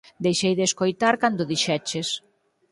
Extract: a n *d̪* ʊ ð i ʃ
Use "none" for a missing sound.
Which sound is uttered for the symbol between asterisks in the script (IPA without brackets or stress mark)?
d̪